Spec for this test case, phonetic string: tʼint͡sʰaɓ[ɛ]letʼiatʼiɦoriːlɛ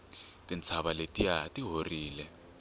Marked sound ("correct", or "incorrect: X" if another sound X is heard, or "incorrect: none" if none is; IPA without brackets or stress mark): incorrect: a